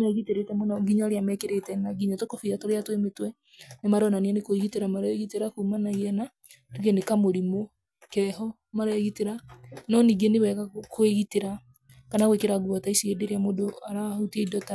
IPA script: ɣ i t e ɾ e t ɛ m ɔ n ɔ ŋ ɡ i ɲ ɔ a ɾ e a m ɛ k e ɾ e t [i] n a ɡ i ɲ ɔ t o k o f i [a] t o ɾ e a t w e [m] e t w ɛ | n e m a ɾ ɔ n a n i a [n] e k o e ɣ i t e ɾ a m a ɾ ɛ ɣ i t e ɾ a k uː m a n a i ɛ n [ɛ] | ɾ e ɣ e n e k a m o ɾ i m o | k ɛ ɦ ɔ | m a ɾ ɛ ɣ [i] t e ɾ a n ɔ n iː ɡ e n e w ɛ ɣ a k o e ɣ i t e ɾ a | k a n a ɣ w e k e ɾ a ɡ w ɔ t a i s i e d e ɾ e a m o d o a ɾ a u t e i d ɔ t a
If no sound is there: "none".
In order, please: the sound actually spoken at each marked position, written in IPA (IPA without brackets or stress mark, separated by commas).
ɛ, a, m, n, a, i